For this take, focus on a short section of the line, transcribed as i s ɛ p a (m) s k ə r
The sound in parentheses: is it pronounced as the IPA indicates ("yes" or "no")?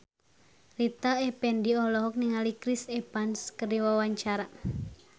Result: no